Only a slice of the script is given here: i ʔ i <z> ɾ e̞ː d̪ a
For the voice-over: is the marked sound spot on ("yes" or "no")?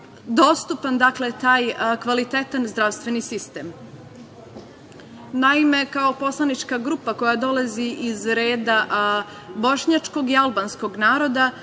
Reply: yes